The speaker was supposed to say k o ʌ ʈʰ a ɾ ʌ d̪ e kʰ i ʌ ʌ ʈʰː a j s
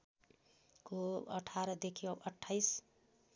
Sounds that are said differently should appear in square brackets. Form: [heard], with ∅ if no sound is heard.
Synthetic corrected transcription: k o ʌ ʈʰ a ɾ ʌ d̪ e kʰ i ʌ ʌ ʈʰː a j s